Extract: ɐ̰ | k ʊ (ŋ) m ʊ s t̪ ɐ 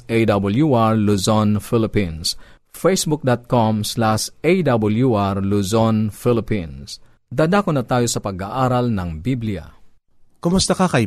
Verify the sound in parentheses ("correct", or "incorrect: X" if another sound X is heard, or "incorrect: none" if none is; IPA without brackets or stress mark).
incorrect: none